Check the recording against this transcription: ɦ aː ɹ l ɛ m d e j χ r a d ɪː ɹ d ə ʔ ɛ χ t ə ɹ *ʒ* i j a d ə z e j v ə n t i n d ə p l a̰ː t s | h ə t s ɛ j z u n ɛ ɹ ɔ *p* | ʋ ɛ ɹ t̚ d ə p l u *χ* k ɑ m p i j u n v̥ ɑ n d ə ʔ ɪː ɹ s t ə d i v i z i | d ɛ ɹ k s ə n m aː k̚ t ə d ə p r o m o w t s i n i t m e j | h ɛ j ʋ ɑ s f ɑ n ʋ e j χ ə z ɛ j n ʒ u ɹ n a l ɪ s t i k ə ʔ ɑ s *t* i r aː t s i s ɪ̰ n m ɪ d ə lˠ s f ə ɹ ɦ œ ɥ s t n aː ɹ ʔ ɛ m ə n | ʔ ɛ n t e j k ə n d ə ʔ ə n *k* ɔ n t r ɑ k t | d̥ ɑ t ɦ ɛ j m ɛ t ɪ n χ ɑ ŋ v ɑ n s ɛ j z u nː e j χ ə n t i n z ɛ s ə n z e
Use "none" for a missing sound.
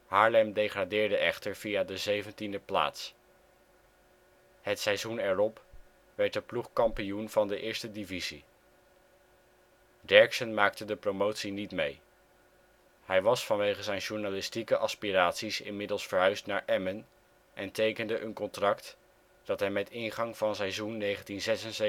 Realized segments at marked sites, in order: v, p, χ, p, k

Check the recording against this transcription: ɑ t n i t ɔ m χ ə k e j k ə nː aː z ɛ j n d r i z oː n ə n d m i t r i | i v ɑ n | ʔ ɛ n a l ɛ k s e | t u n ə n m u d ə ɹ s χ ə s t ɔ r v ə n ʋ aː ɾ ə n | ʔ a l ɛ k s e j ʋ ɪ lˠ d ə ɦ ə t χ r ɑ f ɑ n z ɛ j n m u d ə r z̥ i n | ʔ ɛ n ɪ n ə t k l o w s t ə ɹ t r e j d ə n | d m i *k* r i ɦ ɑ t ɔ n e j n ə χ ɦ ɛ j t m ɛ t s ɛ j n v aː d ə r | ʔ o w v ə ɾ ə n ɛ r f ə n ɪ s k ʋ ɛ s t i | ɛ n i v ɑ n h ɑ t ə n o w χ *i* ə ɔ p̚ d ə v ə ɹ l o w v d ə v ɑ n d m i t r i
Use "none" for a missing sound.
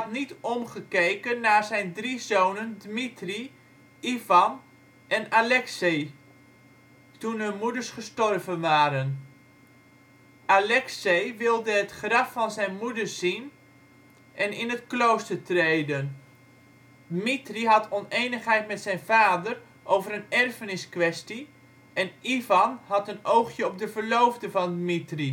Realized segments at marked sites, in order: t, j

